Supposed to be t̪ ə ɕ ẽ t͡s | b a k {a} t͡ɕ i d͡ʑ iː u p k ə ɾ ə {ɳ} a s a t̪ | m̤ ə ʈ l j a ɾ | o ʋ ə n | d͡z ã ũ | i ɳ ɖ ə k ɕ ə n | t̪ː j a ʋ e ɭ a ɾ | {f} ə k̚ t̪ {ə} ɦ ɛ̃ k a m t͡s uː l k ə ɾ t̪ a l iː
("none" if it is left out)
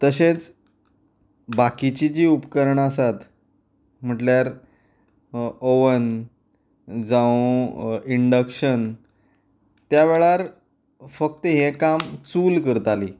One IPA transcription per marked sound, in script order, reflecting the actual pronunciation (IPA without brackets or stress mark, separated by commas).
i, ɳ, f, ə